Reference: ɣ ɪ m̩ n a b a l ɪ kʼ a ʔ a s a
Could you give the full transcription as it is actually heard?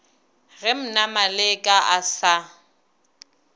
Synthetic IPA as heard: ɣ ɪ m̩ n a m a l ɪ kʼ a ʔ a s a